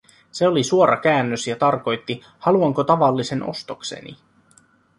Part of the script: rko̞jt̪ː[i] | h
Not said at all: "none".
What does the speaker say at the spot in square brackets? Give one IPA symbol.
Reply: i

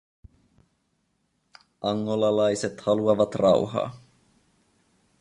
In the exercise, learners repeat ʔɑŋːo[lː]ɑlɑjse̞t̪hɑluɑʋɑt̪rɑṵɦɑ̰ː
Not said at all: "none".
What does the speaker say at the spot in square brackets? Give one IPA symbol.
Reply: l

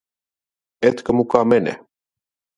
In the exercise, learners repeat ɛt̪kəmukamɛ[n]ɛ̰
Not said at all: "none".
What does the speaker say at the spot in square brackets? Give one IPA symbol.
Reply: n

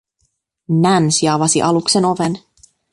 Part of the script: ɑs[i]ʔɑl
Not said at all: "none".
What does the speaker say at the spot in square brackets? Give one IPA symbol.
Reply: i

